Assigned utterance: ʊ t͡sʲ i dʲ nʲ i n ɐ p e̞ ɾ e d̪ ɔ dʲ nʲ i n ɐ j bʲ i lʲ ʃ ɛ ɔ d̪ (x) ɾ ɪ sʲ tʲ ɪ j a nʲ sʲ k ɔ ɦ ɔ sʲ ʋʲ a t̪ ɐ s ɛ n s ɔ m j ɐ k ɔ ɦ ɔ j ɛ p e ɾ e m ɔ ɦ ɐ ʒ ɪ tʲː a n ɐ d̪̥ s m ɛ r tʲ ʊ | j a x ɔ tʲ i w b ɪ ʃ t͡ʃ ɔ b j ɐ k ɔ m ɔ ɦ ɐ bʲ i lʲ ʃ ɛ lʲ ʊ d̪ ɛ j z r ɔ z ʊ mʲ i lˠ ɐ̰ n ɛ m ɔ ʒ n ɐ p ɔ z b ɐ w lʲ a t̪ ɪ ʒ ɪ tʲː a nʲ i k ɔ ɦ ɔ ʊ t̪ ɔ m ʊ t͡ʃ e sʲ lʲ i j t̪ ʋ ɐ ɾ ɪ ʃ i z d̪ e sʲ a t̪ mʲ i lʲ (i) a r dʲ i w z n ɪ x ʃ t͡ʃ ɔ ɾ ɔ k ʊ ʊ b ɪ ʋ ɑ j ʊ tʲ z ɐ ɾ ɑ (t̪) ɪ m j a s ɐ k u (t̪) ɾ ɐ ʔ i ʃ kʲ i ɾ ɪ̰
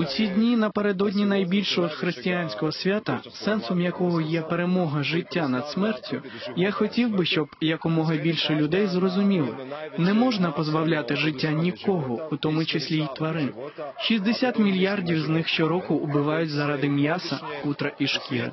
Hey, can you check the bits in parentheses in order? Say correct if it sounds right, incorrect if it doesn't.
correct, incorrect: j, incorrect: d̪, correct

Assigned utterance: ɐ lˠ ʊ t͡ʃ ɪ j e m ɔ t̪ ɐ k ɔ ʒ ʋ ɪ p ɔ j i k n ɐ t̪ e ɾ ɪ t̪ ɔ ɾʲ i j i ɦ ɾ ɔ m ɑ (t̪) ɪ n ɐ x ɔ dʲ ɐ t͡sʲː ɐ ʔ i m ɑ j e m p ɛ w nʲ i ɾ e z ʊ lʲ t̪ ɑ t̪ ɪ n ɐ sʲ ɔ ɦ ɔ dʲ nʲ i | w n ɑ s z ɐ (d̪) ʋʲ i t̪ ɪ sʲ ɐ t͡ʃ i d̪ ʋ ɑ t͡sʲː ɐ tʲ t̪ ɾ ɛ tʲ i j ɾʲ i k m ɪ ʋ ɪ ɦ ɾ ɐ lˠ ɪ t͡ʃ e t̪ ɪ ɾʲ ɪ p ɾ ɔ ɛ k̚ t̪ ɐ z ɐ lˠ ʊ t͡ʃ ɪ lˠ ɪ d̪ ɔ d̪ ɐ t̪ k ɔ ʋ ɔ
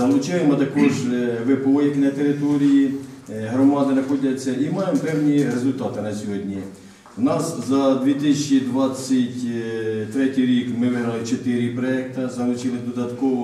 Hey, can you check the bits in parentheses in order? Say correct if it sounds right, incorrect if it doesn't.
incorrect: d̪, correct

